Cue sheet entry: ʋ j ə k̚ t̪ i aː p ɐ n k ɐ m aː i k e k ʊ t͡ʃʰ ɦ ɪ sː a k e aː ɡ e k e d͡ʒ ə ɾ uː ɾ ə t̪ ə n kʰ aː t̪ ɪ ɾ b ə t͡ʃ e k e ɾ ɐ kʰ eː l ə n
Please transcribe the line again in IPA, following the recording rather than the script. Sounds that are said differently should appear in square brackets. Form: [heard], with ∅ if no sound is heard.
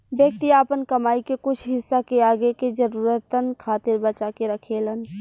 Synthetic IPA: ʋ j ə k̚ t̪ i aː p [ə] n k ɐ m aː i k e k ʊ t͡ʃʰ ɦ ɪ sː a k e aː ɡ e k e d͡ʒ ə ɾ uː ɾ ə t̪ ə n kʰ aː t̪ ɪ ɾ b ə t͡ʃ [a] k e ɾ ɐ kʰ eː l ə n

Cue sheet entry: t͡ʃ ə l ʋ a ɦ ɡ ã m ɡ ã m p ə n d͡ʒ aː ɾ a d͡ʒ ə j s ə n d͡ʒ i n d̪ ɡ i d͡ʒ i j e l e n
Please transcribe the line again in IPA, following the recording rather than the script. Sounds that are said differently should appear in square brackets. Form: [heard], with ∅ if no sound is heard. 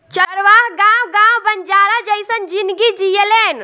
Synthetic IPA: t͡ʃ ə [ɾ] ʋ a ɦ ɡ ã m ɡ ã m [b] ə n d͡ʒ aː ɾ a d͡ʒ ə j s ə n d͡ʒ i n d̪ ɡ i d͡ʒ i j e l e n

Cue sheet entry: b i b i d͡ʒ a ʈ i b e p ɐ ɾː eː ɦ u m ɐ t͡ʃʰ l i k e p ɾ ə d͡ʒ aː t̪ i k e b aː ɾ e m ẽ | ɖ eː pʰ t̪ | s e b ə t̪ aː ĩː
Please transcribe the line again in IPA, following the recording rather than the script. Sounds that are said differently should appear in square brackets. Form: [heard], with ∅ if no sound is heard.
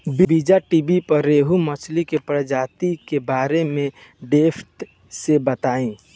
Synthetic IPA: b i b i d͡ʒ a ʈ i b [i] p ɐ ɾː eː ɦ u m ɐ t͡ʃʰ l i k e p ɾ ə d͡ʒ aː t̪ i k e b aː ɾ e m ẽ | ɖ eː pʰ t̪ | s e b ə t̪ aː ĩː

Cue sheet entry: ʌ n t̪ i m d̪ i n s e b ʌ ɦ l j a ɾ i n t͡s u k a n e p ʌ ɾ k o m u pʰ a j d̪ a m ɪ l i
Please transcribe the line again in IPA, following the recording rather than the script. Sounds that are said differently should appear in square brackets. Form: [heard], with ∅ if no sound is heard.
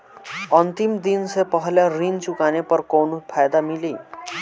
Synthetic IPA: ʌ n t̪ i m d̪ i n s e [p] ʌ ɦ l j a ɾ i n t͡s u k a n e p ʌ ɾ k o [n] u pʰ a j d̪ a m [i] l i

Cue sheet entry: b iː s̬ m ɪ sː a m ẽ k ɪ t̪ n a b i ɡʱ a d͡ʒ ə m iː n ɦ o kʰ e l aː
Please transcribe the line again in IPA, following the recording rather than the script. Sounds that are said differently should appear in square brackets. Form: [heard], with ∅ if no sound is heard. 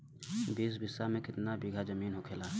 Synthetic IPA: b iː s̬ [b] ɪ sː a m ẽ k ɪ t̪ n a b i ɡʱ a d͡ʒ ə m iː n ɦ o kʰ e l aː

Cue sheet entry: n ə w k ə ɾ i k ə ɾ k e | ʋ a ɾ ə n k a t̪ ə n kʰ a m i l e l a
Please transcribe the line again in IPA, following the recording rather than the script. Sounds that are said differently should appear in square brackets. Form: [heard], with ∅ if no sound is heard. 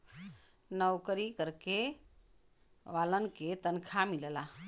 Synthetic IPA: n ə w k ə ɾ i k ə ɾ k e | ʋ a [l] ə n k [e] t̪ ə n kʰ a m i l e l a

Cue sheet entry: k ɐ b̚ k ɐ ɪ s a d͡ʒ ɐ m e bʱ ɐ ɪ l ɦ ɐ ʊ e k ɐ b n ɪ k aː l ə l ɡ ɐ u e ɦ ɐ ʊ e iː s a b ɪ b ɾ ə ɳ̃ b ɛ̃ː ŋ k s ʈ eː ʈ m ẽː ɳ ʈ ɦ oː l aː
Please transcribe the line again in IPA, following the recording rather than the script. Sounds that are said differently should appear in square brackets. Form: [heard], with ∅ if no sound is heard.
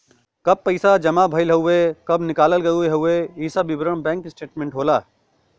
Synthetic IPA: k ɐ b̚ [p] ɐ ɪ s a d͡ʒ ɐ m [a] bʱ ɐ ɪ l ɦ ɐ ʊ e k ɐ b n ɪ k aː l ə l ɡ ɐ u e ɦ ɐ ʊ e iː s a b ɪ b ɾ ə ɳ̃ b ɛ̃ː ŋ k s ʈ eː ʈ m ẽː ɳ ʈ ɦ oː l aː

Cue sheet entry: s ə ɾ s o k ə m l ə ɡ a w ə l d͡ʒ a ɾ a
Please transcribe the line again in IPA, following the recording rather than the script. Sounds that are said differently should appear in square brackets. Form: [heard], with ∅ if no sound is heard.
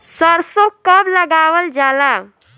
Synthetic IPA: s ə ɾ s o k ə [b] l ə ɡ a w ə l d͡ʒ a [l] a

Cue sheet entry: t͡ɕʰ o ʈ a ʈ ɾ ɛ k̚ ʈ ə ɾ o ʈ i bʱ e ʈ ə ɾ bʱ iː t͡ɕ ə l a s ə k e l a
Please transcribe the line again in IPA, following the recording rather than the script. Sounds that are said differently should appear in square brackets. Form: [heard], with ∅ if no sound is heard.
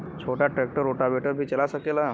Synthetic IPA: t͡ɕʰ o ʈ a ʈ ɾ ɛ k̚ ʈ ə ɾ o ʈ [a] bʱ e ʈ ə ɾ bʱ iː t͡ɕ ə l a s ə k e l a

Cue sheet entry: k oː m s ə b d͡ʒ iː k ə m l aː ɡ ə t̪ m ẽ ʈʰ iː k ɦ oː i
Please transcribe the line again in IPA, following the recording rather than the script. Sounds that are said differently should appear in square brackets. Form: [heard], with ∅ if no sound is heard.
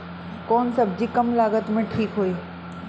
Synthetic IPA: k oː [n] s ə b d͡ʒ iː k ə m l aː ɡ ə t̪ m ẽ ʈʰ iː k ɦ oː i

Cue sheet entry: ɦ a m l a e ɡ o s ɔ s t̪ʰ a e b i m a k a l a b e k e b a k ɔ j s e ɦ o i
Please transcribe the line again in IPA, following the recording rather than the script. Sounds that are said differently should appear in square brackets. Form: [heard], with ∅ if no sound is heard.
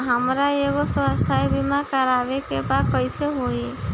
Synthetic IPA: ɦ a m [ɾ] a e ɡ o s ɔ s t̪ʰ a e b i m a k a [ɾ] a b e k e b a k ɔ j s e ɦ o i

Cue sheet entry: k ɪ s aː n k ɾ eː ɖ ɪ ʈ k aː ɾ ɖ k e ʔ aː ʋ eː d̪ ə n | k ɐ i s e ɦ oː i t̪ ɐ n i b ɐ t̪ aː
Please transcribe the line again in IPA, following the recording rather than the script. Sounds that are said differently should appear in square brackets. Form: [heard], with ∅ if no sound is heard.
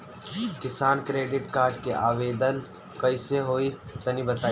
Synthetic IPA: k ɪ s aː n k ɾ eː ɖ ɪ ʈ k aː ɾ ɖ k e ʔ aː ʋ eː d̪ ə n | k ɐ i s e ɦ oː i t̪ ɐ n i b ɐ t̪ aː

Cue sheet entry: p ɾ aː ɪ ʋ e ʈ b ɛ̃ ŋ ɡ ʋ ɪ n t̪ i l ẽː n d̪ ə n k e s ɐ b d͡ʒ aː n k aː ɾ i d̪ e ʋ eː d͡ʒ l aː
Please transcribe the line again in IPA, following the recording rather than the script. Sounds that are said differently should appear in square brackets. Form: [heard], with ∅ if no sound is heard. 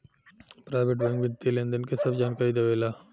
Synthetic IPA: p ɾ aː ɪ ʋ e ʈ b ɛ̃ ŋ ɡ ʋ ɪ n t̪ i l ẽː n d̪ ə n k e s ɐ b d͡ʒ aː n k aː ɾ i d̪ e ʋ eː [∅] l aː

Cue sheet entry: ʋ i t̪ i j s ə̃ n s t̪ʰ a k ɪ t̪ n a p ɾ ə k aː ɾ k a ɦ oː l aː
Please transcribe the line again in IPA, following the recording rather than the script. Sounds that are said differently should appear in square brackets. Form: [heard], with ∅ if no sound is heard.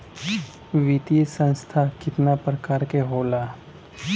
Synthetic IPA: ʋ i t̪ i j s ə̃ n s t̪ʰ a k ɪ t̪ n a p ɾ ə k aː ɾ k [e] ɦ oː l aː

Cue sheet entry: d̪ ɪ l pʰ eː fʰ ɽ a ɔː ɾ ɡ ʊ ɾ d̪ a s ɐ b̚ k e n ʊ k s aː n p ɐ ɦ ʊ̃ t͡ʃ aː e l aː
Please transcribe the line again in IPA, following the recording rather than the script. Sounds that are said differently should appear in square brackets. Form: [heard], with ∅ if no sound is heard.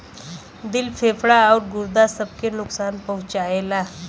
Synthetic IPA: d̪ ɪ l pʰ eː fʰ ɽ a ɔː ɾ ɡ ʊ ɾ d̪ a s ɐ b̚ k e n ʊ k s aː n p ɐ ɦ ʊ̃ t͡ʃ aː e l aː

